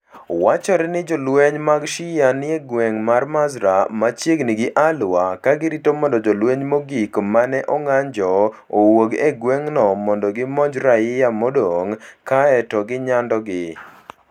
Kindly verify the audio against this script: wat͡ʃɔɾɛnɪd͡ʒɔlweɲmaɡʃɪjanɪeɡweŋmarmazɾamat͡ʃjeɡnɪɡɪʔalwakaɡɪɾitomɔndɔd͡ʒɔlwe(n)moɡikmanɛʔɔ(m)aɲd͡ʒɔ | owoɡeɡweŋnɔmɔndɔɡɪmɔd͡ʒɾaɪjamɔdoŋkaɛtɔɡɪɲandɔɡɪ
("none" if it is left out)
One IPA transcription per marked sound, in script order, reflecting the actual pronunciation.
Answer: ɲ, ŋ

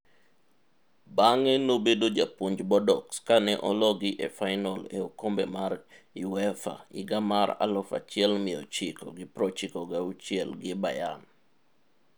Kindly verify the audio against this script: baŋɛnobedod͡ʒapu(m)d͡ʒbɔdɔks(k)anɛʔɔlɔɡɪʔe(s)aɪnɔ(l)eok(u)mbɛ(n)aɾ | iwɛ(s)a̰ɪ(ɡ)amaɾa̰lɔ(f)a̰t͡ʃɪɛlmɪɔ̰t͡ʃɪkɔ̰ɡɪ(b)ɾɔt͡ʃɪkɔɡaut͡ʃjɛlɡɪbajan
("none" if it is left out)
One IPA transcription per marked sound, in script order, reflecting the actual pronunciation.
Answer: ɲ, k, f, l, o, m, f, ɡ, f, p

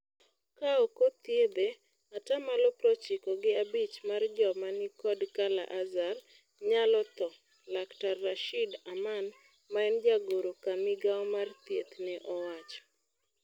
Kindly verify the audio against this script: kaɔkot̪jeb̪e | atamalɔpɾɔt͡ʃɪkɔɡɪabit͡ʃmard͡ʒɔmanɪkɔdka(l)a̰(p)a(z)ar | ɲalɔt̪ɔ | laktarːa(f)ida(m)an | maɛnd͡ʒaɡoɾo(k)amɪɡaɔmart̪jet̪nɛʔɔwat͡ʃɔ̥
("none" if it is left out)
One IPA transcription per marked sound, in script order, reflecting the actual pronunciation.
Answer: l, ʔ, z, ʃ, m, k

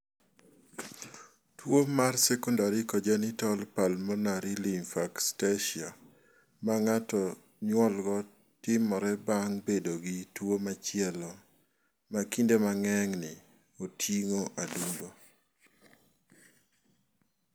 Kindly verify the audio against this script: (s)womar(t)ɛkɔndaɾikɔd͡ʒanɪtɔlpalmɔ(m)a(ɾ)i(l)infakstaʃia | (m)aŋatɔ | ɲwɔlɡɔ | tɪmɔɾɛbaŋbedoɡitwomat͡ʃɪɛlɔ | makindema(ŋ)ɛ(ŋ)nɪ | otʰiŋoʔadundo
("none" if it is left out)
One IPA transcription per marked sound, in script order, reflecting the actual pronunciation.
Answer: t, s, n, ɾ, l, m, ŋ, ŋ

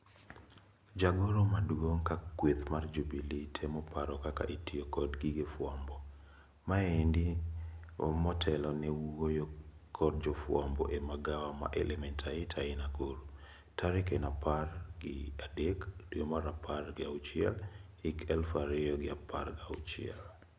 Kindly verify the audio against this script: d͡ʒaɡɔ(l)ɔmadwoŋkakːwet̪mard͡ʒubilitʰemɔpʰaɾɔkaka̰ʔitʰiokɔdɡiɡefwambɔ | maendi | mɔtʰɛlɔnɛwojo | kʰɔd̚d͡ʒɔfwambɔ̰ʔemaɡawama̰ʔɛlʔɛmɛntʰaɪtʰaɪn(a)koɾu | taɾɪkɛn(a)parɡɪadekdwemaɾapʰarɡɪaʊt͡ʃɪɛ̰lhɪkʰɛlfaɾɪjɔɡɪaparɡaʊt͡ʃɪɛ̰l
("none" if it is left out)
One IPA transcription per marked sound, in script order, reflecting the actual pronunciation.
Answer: ɾ, a, a

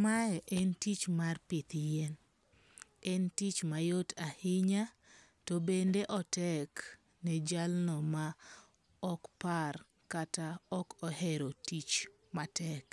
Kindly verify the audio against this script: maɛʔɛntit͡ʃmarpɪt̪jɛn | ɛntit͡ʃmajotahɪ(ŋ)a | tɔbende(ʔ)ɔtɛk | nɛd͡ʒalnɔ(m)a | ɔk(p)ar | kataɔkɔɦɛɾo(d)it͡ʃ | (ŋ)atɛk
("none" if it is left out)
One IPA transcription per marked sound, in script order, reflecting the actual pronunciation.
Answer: ɲ, ʔ, m, p, t, m

